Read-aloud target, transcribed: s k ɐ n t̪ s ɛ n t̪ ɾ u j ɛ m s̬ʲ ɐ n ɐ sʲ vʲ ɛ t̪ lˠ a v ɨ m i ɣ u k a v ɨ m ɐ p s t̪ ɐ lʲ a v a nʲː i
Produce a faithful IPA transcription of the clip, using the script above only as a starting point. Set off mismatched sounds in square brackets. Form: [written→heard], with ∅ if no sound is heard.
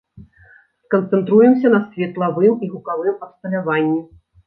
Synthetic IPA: s k ɐ n t̪ s ɛ n t̪ ɾ u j ɛ m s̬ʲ ɐ n ɐ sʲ vʲ ɛ t̪ lˠ a v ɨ m i ɣ u k a v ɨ m ɐ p s t̪ ɐ lʲ a v a nʲː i